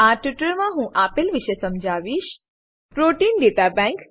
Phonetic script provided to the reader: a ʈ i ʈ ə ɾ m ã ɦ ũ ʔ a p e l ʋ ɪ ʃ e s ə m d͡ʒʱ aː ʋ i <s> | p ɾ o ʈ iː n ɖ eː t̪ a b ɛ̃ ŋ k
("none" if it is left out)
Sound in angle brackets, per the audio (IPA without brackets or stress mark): ʃ